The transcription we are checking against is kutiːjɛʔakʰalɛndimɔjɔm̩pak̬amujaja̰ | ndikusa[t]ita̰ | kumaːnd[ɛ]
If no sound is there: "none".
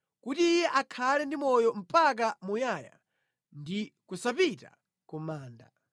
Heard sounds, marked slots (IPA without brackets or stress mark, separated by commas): p, a